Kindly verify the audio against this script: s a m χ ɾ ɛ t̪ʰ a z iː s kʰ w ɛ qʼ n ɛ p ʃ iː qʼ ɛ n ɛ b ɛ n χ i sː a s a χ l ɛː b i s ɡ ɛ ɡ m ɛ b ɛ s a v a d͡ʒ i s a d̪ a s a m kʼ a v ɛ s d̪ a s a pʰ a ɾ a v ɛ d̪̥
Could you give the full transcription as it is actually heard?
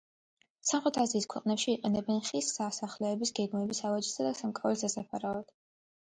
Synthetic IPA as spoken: s a m χ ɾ ɛ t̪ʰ a z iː s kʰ w ɛ qʼ n ɛ p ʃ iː qʼ ɛ n ɛ b ɛ n χ i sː a s a χ l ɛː b i s ɡ ɛ ɡ m ɛ b i s a v a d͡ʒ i s a d̪ a s a m kʼ a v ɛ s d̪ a s a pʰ a ɾ a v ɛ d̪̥